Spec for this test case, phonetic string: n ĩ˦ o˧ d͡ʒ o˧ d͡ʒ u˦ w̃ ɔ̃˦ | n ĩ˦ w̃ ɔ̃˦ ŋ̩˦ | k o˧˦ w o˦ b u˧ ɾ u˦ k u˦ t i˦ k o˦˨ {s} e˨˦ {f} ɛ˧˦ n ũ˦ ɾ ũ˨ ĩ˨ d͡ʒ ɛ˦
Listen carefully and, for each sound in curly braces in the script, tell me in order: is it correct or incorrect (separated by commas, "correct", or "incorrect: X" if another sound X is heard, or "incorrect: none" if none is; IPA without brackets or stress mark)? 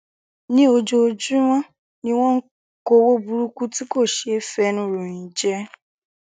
incorrect: ʃ, correct